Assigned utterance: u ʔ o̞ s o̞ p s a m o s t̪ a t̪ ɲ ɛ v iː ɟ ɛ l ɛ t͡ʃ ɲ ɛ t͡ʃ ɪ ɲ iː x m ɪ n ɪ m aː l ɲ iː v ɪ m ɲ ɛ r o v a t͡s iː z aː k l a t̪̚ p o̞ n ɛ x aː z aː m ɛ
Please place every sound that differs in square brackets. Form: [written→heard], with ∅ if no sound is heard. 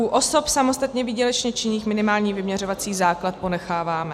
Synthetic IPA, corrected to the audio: u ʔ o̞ s o̞ p s a m o s t̪ a t̪ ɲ ɛ v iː ɟ ɛ l ɛ t͡ʃ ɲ ɛ t͡ʃ ɪ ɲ iː x m ɪ n ɪ m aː l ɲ iː v ɪ m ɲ ɛ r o v a t͡s iː z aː k l a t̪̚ p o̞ n ɛ x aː [z→v] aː m ɛ